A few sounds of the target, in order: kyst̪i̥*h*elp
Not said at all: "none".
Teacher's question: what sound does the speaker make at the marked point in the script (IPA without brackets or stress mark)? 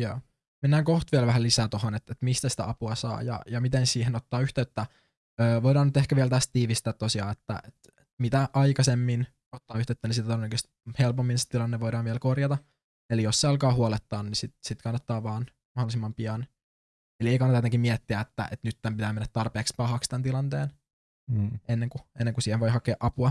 h